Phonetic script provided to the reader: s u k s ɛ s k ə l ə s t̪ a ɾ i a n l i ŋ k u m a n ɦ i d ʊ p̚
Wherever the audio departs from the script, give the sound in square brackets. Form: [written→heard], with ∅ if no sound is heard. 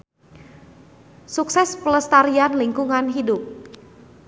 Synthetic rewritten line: s u k s ɛ s [k→p] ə l ə s t̪ a ɾ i a n l i ŋ k u [m→ŋ] a n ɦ i d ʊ p̚

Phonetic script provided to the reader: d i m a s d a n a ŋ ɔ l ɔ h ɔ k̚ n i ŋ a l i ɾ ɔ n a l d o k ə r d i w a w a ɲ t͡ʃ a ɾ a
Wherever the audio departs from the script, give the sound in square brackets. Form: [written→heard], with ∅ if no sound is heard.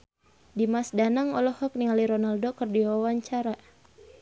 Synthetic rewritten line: d i m a s d a n a ŋ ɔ l ɔ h ɔ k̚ n i ŋ a l i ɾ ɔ n a l d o k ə r d i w a w a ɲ t͡ʃ a ɾ a

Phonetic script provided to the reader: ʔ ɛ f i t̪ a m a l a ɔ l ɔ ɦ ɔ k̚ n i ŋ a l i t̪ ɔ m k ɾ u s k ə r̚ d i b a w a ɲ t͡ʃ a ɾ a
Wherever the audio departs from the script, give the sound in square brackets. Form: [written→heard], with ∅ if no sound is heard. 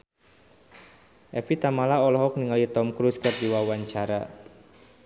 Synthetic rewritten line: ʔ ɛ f i t̪ a m a l a ɔ l ɔ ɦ ɔ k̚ n i ŋ a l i t̪ ɔ m k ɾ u s k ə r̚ d i [b→w] a w a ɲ t͡ʃ a ɾ a

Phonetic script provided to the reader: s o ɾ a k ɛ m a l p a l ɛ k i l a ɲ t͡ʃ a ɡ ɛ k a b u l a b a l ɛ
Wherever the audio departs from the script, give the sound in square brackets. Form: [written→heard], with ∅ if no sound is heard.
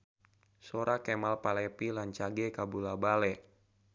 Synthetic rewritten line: s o ɾ a k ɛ m a l p a l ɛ [k→p] i l a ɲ t͡ʃ a ɡ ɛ k a b u l a b a l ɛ

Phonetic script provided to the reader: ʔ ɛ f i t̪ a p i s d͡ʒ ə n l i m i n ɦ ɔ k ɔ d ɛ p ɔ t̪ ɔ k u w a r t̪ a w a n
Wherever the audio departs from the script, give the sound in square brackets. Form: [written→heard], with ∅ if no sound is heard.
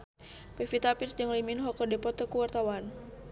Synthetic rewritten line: [ʔ→p] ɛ f i t̪ a p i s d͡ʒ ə [n→ŋ] l i m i n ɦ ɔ k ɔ d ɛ p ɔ t̪ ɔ k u w a r t̪ a w a n

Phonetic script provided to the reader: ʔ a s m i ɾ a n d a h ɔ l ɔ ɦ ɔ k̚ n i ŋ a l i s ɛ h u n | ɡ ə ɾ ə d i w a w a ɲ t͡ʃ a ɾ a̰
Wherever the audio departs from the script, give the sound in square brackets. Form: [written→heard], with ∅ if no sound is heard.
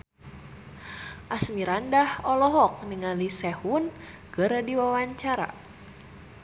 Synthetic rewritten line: ʔ a s m i ɾ a n d a h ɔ l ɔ ɦ ɔ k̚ n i ŋ a l i s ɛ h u n | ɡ ə ɾ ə d i w a w a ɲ t͡ʃ a ɾ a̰

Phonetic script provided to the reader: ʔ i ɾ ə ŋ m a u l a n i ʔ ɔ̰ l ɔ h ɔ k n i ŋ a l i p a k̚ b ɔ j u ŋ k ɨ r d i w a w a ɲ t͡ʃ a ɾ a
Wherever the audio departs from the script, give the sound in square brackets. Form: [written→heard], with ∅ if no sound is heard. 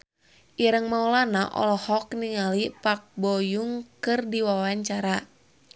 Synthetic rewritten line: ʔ i ɾ ə ŋ m a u l a n [i→a] ʔ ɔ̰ l ɔ h ɔ k n i ŋ a l i p a k̚ b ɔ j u ŋ k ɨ r d i w a w a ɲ t͡ʃ a ɾ a

